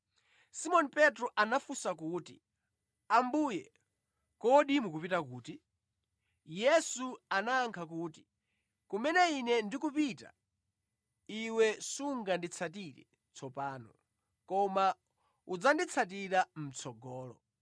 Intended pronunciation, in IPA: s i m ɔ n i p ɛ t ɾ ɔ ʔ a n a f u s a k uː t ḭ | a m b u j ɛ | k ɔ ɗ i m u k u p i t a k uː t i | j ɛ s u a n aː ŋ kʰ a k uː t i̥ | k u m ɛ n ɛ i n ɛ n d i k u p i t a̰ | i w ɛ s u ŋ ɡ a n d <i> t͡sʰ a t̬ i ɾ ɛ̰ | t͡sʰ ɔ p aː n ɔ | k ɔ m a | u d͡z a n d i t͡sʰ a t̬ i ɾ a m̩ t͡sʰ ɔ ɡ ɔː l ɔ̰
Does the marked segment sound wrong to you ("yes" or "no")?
no